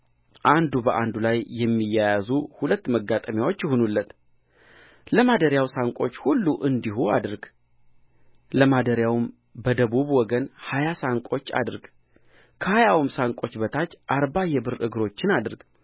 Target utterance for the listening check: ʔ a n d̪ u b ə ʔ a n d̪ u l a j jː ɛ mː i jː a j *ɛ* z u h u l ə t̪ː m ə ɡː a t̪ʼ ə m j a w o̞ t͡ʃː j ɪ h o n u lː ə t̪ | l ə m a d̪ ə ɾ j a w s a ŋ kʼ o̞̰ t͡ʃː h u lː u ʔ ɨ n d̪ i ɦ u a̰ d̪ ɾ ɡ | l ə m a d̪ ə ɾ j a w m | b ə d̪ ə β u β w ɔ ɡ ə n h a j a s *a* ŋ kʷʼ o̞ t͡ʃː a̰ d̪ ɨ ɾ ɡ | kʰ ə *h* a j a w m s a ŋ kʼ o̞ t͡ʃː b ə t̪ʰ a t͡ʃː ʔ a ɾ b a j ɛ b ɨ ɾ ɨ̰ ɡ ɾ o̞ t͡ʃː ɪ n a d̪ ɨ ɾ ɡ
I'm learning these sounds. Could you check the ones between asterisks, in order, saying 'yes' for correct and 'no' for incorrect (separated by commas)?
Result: no, yes, yes